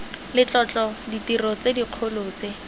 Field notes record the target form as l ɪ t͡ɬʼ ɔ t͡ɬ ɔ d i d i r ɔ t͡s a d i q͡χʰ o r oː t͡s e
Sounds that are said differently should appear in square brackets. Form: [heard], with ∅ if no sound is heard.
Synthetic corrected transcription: l ɪ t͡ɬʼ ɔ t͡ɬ ɔ d i [t] i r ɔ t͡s [e] d i q͡χʰ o [l] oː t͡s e